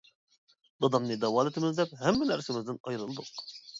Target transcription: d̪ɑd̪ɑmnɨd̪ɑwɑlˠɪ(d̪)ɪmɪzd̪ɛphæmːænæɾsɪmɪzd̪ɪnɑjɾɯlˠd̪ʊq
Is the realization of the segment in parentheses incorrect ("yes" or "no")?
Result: yes